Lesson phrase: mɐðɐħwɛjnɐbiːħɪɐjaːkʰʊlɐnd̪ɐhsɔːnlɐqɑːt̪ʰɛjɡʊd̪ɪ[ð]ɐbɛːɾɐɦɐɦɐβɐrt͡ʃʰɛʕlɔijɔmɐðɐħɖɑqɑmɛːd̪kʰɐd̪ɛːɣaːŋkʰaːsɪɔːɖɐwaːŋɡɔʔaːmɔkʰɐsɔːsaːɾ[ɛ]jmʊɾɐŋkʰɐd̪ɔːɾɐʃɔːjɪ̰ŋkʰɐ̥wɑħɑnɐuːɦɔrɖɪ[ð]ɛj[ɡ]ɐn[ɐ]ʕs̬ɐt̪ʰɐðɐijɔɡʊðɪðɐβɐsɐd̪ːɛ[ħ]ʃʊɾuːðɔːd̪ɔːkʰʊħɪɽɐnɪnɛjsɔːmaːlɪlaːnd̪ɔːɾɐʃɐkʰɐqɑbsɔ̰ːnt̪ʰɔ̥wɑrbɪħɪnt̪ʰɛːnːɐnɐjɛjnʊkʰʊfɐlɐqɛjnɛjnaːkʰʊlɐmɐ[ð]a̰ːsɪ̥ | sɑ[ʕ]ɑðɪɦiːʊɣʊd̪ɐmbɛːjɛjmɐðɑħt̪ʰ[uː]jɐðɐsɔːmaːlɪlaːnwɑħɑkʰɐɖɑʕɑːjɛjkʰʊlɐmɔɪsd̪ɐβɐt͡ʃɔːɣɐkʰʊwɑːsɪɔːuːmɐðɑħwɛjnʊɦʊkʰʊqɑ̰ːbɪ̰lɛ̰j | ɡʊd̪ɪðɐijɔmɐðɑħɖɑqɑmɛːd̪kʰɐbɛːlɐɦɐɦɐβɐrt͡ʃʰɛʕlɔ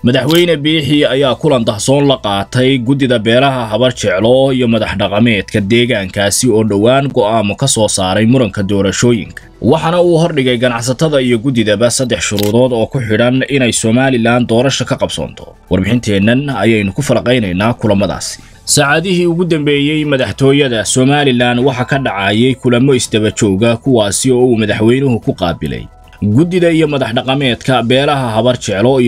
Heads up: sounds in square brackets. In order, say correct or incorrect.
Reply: correct, correct, incorrect, correct, incorrect, correct, correct, correct, incorrect

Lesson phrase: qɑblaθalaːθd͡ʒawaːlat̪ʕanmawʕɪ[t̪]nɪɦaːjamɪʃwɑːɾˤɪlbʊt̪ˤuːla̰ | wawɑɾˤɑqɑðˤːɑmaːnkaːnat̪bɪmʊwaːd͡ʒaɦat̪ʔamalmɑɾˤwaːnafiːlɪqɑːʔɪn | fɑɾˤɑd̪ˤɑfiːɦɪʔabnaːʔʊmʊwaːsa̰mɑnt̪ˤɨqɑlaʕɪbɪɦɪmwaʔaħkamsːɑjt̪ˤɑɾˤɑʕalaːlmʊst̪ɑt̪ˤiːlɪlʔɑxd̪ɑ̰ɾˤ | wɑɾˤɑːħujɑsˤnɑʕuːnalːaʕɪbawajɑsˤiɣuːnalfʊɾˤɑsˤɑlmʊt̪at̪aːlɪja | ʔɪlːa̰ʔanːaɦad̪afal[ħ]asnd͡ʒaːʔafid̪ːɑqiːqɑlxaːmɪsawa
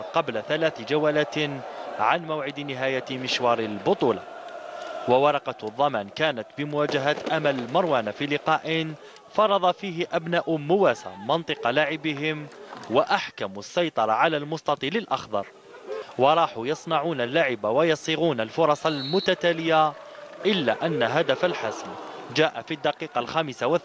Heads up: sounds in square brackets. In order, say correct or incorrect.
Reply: incorrect, correct

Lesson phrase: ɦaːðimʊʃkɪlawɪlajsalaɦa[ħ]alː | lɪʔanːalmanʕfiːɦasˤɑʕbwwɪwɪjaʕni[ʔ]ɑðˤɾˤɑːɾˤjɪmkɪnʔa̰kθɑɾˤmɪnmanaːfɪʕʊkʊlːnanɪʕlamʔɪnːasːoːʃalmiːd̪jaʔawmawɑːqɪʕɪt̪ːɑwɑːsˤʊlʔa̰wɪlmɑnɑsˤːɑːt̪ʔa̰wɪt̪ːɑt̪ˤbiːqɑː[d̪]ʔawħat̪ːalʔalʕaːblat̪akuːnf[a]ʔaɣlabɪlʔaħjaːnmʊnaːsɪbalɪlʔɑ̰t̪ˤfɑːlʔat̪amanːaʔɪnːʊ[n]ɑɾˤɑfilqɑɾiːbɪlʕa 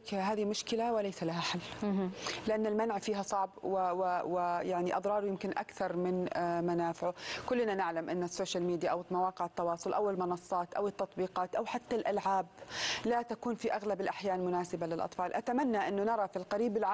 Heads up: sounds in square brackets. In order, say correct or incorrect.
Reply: correct, correct, incorrect, incorrect, correct

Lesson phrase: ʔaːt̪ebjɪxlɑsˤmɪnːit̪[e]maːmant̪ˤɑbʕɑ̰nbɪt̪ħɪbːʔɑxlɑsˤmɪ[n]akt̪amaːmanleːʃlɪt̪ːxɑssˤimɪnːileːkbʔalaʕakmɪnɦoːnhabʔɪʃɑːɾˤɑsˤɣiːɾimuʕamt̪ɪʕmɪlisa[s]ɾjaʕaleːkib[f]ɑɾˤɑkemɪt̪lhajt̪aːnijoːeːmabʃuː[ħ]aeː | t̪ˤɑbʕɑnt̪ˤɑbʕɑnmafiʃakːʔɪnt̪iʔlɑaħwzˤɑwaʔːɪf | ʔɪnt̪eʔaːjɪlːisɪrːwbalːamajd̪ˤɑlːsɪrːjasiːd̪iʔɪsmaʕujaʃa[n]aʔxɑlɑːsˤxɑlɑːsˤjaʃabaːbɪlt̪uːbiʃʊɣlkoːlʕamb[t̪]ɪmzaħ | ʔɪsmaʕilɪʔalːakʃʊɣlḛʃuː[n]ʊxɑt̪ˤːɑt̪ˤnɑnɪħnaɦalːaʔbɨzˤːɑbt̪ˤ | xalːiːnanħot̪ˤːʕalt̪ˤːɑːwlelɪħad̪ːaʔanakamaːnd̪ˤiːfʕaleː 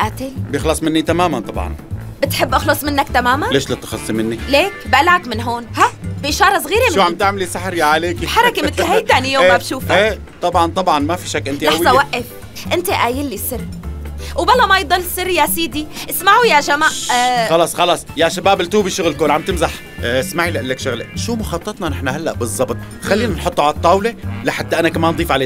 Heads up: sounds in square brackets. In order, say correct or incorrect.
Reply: incorrect, incorrect, incorrect, incorrect, incorrect, incorrect, correct, incorrect

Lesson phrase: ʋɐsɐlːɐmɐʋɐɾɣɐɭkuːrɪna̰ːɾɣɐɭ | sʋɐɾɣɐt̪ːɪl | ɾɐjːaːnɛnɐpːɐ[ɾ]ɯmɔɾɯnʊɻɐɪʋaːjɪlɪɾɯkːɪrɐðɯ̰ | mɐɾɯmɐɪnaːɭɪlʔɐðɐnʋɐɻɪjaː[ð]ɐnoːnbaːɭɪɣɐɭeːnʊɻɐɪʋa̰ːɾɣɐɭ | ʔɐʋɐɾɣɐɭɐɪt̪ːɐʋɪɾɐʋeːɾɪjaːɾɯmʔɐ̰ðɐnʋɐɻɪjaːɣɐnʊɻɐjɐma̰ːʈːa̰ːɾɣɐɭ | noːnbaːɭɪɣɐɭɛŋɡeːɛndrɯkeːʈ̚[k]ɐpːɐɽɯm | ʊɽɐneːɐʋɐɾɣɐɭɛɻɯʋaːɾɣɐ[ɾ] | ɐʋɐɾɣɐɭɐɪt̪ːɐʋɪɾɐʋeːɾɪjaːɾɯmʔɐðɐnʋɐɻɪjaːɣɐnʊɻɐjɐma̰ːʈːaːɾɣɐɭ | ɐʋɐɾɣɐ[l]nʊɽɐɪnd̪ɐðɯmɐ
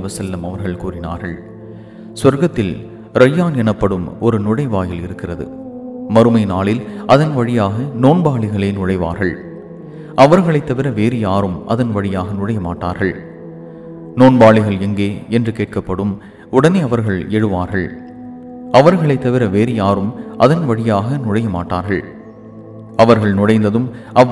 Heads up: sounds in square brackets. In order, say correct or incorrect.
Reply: incorrect, incorrect, correct, incorrect, incorrect

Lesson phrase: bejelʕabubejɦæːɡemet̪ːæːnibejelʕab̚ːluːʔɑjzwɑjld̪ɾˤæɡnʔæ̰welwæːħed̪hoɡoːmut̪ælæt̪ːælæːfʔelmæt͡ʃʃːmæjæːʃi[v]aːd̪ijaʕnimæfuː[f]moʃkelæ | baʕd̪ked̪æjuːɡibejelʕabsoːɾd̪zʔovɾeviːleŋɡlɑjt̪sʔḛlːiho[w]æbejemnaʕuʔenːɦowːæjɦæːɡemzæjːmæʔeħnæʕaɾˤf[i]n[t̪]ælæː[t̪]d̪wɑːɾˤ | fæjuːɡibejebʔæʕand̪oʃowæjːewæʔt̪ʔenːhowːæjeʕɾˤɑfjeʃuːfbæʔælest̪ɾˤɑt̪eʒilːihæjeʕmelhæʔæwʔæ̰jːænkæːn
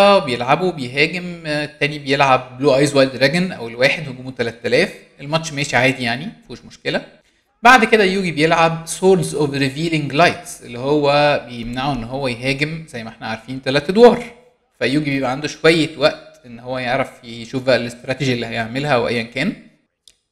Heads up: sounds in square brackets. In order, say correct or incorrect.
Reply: incorrect, incorrect, incorrect, incorrect, correct, correct

